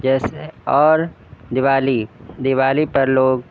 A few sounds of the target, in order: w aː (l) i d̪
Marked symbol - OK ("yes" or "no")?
yes